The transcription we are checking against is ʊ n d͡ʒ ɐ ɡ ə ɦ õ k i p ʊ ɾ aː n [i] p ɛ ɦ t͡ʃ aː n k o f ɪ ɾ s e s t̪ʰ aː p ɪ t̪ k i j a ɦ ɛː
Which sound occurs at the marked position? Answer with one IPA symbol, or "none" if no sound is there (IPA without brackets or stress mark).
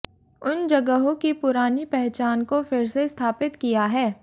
i